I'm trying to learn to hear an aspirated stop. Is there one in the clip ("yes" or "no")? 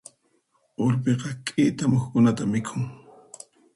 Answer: yes